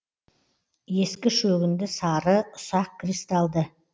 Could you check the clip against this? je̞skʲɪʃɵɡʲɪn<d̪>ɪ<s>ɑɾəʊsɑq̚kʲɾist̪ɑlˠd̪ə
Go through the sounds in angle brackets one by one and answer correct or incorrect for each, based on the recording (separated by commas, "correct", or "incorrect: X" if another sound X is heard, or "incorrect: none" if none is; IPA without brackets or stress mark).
correct, correct